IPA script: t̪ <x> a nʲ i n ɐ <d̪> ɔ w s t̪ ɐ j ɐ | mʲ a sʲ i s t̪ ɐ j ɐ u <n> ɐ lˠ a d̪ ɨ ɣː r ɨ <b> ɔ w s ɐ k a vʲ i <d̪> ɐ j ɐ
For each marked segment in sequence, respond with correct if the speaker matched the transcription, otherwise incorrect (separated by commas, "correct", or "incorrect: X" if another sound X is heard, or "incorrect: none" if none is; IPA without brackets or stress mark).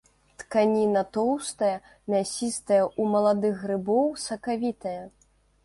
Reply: incorrect: k, incorrect: t̪, incorrect: m, correct, incorrect: t̪